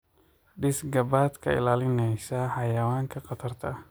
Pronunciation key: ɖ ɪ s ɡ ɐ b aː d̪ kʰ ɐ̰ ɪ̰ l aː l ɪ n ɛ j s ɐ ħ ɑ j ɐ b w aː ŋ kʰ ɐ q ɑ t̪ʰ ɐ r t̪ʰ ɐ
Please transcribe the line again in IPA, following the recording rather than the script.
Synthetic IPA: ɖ ɪ s ɡ ɐ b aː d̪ kʰ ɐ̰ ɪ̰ l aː l ɪ n ɛ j s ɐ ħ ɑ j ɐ w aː ŋ kʰ ɐ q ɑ t̪ʰ ɐ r t̪ʰ ɐ